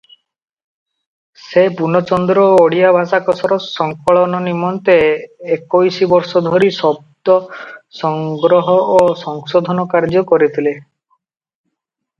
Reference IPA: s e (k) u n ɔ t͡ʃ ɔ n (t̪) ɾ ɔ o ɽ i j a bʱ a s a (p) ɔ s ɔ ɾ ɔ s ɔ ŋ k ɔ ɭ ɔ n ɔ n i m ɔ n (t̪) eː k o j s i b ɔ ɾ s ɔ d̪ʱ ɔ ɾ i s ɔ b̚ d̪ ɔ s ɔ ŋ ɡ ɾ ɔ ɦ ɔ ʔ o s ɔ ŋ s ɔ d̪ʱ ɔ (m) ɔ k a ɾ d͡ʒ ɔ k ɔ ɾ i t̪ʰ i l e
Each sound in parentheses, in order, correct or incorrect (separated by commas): incorrect, incorrect, incorrect, correct, incorrect